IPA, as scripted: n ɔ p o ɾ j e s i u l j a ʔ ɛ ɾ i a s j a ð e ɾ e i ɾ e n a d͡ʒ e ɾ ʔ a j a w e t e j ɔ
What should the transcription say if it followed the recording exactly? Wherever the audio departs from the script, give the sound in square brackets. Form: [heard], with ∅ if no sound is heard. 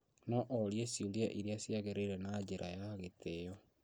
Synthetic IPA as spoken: n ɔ [ʔ] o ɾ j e s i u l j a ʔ [i] ɾ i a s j a [ɣ] e ɾ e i ɾ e n a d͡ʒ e ɾ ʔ a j a [ɣ] e t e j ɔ